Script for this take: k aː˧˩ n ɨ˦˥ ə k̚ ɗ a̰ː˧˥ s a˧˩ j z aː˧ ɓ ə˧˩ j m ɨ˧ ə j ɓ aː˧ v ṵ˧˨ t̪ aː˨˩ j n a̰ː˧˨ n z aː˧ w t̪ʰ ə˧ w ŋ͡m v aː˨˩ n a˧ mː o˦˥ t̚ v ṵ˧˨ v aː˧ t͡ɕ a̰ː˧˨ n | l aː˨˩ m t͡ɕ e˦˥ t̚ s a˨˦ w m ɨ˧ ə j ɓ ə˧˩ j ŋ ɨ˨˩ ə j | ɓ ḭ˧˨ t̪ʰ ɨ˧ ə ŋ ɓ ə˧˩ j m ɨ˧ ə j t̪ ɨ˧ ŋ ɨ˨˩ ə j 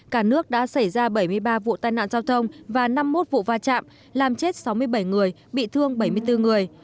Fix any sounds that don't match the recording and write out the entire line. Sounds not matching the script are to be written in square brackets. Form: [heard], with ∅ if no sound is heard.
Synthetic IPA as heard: k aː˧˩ n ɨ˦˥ ə k̚ ɗ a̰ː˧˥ s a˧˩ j z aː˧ ɓ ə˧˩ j m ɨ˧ ə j ɓ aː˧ v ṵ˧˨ t̪ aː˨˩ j n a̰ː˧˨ n z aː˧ w t̪ʰ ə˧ w ŋ͡m v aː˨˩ n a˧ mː o˦˥ t̚ v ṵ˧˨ v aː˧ t͡ɕ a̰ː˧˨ [m] | l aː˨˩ m t͡ɕ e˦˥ t̚ s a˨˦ w m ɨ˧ ə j ɓ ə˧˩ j ŋ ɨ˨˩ ə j | ɓ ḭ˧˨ t̪ʰ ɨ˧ ə ŋ ɓ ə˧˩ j m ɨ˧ ə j t̪ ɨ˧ ŋ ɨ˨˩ ə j